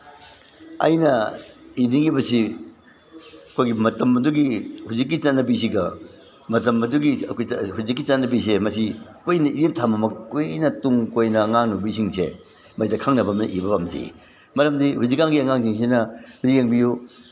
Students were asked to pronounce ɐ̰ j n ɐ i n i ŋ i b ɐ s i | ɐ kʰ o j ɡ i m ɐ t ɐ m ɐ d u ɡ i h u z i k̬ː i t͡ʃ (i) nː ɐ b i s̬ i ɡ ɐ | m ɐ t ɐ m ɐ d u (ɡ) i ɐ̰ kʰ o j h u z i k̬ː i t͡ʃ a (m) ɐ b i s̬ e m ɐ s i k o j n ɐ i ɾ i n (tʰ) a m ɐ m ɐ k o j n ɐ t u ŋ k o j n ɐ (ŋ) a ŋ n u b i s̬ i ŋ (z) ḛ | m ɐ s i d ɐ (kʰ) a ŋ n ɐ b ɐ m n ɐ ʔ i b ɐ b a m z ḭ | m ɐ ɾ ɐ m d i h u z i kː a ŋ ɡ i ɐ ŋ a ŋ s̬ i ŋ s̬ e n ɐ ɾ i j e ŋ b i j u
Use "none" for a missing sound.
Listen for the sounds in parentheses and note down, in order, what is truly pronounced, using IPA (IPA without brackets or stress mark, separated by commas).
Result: a, ɡ, n, tʰ, ŋ, s, kʰ